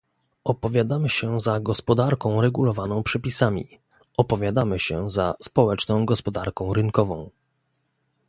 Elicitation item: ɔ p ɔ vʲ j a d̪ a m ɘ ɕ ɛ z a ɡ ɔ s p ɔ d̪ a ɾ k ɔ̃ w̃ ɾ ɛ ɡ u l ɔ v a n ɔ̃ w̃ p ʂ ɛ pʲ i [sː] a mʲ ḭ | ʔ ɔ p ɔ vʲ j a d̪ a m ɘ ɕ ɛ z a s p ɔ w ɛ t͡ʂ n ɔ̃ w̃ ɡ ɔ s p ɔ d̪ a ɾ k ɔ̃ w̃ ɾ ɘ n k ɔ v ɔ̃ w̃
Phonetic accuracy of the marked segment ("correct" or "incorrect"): incorrect